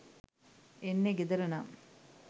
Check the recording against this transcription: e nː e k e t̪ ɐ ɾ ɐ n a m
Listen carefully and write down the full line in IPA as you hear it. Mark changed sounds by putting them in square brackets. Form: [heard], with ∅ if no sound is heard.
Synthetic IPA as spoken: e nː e [ɡ] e [d̪] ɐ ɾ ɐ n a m